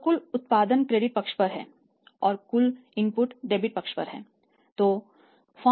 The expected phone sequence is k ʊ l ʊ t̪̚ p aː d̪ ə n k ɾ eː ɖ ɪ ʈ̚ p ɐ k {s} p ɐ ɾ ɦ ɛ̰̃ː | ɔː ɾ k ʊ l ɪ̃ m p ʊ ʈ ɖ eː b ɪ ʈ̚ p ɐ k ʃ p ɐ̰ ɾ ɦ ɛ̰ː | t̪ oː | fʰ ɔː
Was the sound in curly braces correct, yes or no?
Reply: no